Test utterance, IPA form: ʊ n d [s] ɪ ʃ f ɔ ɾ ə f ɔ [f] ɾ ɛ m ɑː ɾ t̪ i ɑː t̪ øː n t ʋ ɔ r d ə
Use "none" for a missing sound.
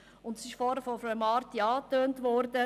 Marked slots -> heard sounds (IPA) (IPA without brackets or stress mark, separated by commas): s, f